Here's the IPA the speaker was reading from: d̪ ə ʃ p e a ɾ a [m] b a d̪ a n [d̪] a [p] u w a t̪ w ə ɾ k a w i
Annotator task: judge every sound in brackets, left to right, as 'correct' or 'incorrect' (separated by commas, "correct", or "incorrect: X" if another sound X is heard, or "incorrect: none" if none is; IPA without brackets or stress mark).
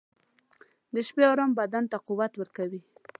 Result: correct, incorrect: t̪, incorrect: q